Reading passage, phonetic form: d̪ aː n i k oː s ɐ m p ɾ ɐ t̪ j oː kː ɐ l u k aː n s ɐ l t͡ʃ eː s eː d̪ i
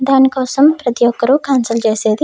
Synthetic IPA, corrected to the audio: d̪ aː n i k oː s ɐ m p ɾ ɐ t̪ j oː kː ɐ ɾ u k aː n s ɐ l t͡ʃ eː s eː d̪ i